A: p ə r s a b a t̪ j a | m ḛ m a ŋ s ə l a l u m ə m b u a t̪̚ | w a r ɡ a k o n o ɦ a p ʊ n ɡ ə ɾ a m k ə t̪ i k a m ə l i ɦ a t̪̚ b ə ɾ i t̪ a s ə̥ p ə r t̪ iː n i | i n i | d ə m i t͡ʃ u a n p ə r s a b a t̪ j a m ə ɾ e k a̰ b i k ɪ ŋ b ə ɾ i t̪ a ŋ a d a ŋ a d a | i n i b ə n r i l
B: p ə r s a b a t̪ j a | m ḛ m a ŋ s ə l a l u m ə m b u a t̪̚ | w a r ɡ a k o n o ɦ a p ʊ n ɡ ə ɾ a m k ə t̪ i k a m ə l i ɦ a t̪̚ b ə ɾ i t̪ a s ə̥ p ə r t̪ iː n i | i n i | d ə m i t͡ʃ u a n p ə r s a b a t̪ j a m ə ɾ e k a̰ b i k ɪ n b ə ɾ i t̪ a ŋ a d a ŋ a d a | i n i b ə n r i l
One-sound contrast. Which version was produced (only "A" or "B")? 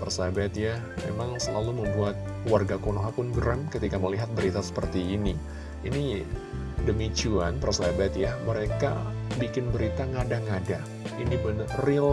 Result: B